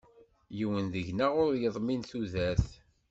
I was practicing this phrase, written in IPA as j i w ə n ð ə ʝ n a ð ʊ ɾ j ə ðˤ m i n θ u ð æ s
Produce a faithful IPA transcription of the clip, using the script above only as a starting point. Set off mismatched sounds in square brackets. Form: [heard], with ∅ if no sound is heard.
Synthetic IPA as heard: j i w ə n ð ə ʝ n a [ʁ] ʊ ɾ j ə ðˤ m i n θ u ð æ [θ]

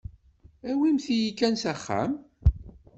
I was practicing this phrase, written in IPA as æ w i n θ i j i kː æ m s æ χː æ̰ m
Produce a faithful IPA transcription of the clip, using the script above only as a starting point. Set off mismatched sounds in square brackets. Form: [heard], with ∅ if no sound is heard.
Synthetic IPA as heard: æ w i [m] θ i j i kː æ [n] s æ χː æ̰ m

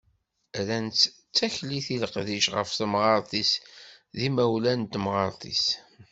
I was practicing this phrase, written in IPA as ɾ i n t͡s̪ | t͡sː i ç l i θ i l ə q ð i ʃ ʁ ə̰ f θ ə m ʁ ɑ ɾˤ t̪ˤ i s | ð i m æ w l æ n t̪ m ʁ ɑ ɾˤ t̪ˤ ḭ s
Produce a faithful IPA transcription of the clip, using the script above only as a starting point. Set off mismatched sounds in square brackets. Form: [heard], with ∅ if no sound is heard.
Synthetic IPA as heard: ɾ [æ] n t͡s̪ | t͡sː [æ] ç l i θ i l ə q ð i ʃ ʁ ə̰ f θ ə m ʁ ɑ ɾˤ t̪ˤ i s | ð i m æ w l æ n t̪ m ʁ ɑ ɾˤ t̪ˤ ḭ s

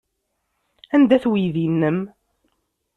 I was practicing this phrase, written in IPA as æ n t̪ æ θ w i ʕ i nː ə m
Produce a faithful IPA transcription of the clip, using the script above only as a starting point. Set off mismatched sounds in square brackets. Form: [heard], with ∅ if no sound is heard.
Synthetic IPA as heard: æ n [d̪] æ θ w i [ð] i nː ə m

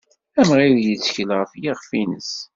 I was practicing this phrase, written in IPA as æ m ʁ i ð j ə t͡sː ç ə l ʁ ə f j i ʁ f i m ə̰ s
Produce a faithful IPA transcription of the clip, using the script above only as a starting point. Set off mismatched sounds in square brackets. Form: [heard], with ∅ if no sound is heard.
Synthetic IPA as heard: æ m ʁ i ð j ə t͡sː ç ə l ʁ ə f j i ʁ f i [n] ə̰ s

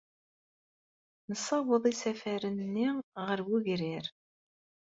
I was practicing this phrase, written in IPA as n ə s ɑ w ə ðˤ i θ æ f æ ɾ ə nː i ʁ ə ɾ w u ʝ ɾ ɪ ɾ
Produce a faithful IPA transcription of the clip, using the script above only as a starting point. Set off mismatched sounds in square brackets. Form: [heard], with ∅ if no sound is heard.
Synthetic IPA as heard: n ə s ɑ w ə ðˤ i [s] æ f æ ɾ ə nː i ʁ ə ɾ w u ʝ ɾ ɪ ɾ

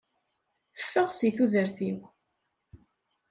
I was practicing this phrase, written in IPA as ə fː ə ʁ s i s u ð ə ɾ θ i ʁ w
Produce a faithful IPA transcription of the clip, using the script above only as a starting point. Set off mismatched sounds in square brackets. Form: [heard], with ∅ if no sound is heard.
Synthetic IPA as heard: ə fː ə ʁ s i [θ] u ð ə ɾ θ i [∅] w

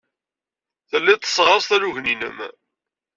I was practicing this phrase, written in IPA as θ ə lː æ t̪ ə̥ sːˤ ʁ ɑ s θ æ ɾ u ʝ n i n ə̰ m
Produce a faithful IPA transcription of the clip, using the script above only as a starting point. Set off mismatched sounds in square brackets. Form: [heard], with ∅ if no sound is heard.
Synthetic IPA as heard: θ ə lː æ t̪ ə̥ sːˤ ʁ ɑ s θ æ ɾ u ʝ n i n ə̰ m

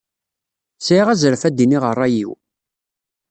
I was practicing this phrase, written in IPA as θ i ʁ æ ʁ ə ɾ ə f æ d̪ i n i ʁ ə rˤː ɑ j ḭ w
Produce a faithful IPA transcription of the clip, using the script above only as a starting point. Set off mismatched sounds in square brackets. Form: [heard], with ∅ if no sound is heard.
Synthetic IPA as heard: [s] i ʁ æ [z] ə ɾ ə f æ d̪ i n i ʁ ə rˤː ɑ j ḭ w

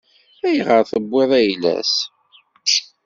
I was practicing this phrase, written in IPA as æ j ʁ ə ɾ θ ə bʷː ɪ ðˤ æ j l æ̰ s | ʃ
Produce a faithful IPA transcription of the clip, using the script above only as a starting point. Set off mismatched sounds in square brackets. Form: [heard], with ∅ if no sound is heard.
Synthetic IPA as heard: æ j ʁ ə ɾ θ ə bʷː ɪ ðˤ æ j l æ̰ s | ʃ

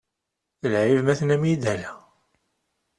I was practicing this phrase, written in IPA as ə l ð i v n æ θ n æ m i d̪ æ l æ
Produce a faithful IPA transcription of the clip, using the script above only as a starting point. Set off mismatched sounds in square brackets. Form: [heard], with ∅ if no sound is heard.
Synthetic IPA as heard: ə l [ʕ] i v [m] æ θ n æ m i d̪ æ l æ

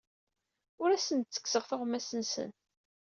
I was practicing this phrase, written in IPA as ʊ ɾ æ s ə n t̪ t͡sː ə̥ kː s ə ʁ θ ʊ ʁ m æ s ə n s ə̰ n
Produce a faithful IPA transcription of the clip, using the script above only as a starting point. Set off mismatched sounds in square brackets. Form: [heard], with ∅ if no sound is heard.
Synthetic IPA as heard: ʊ ɾ æ s ə n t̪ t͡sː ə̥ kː s ə ʁ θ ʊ ʁ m æ s ə n s ə̰ n

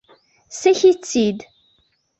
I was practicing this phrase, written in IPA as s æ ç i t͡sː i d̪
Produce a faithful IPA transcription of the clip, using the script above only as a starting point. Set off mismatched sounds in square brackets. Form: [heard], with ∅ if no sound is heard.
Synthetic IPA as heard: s æ ç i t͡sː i d̪

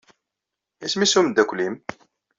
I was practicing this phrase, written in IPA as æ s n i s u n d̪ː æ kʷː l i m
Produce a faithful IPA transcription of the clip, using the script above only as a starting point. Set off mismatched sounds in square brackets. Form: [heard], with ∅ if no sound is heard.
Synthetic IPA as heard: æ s [m] i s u [m] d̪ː æ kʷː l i m

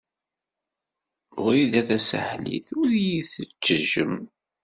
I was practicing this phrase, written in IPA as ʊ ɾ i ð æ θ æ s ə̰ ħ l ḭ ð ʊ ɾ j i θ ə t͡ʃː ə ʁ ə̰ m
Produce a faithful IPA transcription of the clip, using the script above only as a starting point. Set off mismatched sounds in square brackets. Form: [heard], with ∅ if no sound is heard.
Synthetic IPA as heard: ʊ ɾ i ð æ θ æ s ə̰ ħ l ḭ [θ] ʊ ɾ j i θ ə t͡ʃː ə [ʒ] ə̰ m

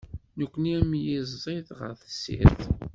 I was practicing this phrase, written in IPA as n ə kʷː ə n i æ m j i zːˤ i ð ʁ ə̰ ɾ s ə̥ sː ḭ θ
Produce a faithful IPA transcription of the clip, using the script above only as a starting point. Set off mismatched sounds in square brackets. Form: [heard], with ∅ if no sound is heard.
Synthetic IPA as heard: n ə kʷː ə n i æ m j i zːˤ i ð ʁ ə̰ ɾ [θ] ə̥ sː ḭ θ

